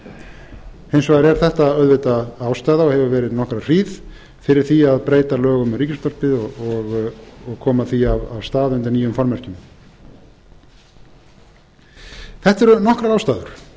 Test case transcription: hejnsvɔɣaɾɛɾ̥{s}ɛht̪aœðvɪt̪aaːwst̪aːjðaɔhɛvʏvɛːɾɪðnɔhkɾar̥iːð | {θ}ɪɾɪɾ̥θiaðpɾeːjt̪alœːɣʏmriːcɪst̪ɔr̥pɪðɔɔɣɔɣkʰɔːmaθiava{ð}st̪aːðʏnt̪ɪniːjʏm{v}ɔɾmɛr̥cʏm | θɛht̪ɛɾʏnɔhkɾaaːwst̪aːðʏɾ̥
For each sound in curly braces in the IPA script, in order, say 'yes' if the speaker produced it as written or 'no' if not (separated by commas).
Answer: no, no, no, no